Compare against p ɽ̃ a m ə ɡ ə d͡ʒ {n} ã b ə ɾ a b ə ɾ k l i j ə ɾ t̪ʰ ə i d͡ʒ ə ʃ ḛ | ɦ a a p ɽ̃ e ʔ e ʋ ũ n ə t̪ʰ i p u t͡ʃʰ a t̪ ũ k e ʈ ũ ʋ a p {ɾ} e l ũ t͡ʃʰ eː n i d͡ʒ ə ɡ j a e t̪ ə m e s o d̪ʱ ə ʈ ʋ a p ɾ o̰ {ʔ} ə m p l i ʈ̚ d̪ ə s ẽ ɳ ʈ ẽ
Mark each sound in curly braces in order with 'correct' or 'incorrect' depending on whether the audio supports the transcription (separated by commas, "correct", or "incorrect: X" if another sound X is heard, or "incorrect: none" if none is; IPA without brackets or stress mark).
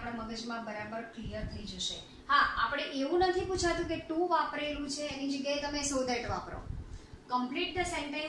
incorrect: m, correct, incorrect: k